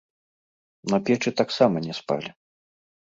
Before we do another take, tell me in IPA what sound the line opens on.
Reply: n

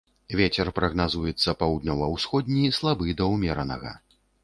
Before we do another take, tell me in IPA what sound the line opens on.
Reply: vʲ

